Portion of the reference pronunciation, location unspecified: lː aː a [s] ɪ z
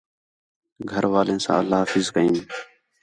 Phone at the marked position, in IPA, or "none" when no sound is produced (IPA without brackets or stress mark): f